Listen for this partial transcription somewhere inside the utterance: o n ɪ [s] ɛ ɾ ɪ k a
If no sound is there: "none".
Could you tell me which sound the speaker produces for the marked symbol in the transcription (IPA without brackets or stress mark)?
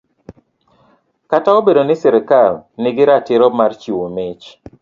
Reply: s